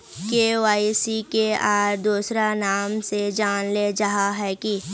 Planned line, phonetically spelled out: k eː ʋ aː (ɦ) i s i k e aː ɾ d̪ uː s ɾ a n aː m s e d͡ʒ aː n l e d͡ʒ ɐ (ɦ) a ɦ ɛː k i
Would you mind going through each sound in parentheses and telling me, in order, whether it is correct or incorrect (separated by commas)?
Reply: incorrect, correct